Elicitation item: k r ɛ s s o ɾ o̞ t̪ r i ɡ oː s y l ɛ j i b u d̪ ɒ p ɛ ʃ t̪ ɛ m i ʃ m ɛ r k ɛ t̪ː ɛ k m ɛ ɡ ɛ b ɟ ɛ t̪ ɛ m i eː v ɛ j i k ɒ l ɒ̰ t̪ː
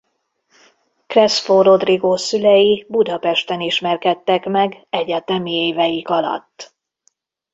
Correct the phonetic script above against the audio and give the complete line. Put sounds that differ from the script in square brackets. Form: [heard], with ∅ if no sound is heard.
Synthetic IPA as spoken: k r ɛ s [f] o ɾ o̞ [d̪] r i ɡ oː s y l ɛ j i b u d̪ ɒ p ɛ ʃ t̪ ɛ [n] i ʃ m ɛ r k ɛ t̪ː ɛ k m ɛ ɡ ɛ [∅] ɟ ɛ t̪ ɛ m i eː v ɛ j i k ɒ l ɒ̰ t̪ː